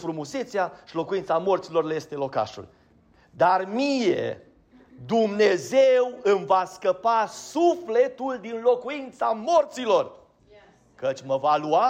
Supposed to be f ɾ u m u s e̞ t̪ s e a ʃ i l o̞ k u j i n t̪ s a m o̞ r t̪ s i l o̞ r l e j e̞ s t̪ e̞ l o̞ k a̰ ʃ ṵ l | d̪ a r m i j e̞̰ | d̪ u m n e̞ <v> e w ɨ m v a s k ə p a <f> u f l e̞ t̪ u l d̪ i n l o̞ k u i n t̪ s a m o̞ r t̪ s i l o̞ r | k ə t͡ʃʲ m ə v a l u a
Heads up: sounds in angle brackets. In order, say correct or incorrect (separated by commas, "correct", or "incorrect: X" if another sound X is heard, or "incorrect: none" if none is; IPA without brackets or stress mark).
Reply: incorrect: z, incorrect: s